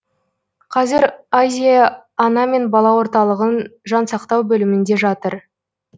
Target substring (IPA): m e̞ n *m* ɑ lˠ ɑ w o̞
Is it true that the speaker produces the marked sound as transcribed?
no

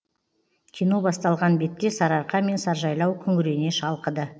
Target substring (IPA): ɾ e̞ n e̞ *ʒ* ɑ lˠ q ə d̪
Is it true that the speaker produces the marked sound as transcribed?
no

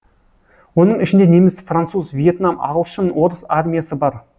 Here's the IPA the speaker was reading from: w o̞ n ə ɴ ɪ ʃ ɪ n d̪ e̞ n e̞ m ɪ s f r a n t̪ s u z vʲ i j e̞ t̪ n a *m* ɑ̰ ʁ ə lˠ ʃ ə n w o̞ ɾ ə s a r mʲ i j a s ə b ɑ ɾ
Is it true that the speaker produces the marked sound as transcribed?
yes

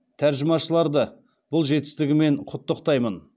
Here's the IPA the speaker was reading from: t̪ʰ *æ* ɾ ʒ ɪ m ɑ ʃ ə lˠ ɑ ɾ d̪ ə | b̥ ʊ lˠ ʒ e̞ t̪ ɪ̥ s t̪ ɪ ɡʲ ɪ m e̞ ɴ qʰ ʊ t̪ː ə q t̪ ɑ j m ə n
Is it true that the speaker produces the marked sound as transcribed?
yes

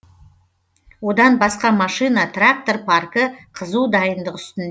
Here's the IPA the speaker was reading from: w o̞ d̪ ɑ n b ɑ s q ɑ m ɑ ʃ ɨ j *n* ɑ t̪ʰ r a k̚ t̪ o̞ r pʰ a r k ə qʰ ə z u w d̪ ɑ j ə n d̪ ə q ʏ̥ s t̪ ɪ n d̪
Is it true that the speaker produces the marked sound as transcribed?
yes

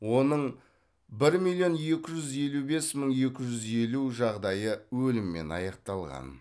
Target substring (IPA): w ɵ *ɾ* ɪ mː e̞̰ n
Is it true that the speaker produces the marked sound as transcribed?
no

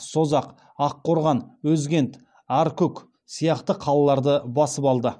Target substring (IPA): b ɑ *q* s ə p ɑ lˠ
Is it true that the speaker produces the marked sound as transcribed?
no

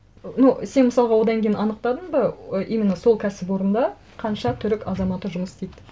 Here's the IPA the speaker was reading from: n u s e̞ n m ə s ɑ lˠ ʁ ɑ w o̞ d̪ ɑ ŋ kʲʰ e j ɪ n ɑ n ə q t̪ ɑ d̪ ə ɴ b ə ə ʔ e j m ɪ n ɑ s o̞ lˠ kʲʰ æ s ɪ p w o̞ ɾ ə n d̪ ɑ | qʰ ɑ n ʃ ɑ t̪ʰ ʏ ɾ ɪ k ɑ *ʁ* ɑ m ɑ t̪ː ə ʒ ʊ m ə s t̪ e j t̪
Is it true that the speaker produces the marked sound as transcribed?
no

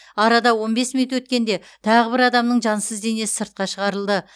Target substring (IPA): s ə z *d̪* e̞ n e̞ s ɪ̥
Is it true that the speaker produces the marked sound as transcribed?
yes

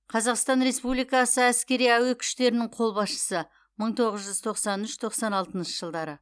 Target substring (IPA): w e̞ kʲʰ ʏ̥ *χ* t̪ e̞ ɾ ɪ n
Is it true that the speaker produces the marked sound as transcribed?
no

